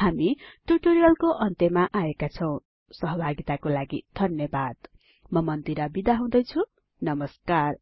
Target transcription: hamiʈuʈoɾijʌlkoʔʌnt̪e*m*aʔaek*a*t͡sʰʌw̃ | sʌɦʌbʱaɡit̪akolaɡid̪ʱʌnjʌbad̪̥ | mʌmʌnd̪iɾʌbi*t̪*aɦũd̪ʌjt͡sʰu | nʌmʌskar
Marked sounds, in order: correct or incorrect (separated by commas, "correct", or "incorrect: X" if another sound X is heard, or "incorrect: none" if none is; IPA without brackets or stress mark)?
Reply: correct, correct, incorrect: d̪